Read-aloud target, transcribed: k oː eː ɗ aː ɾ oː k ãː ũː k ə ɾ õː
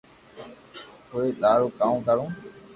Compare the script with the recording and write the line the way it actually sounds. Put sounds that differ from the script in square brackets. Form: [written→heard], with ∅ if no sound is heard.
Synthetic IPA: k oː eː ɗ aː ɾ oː k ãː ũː k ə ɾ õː